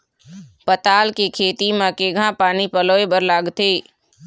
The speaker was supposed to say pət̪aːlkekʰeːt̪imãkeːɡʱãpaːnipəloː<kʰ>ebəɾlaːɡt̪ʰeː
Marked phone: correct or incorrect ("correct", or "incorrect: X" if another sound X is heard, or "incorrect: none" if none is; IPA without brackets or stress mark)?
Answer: incorrect: none